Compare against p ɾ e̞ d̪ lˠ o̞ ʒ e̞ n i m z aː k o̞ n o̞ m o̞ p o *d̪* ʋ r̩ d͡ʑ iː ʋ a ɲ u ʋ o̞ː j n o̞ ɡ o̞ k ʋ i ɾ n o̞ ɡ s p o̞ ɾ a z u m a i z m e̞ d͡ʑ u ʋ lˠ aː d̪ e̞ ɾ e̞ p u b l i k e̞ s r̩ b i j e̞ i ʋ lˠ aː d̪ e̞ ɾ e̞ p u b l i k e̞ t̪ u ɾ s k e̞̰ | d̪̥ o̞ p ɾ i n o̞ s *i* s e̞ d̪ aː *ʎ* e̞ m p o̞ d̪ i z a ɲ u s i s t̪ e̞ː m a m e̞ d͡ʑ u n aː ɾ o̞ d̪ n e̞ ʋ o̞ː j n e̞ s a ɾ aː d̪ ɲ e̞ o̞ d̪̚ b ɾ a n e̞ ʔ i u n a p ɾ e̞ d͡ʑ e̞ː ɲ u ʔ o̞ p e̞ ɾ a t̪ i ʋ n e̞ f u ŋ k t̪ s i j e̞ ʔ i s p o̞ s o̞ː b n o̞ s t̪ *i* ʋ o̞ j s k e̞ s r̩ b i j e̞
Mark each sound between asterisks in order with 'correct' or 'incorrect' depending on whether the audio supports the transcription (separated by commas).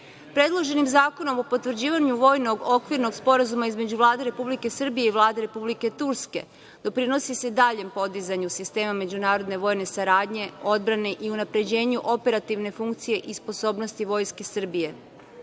incorrect, correct, correct, correct